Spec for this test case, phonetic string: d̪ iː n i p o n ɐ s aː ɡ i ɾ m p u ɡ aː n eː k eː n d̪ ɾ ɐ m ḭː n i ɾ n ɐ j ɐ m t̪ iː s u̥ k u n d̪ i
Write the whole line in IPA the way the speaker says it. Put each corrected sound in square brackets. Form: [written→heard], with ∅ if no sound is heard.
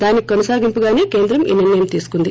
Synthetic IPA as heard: d̪ [iː→aː] n i [p→k] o n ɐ s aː ɡ i [ɾ→∅] m p u ɡ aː n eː k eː n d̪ ɾ ɐ m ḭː n i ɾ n ɐ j ɐ m t̪ iː s u̥ k u n d̪ i